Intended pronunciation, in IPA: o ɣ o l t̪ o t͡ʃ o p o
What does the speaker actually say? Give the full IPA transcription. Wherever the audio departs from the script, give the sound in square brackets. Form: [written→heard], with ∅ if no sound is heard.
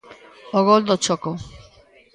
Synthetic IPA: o ɣ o l [t̪→d̪] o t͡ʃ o [p→k] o